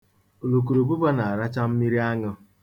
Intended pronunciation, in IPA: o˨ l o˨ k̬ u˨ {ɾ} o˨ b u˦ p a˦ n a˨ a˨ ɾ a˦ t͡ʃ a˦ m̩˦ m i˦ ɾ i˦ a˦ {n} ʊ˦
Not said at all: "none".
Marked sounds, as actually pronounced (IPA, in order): ɾ, ŋ

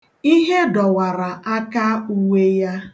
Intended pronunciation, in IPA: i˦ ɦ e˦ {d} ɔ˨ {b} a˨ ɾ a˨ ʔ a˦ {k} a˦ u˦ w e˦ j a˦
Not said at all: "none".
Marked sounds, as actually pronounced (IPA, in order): d, w, k

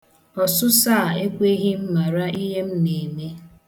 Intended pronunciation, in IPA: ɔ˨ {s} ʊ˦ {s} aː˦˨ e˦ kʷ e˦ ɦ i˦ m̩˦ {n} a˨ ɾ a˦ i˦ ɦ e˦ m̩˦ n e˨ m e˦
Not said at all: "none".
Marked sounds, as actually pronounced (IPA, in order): s, s, m

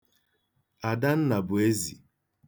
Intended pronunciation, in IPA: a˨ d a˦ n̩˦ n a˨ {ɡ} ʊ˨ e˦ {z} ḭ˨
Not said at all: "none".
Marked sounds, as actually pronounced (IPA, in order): b, z

